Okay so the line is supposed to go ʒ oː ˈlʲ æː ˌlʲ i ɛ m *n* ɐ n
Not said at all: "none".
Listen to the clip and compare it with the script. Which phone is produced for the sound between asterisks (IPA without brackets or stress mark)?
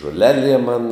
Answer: m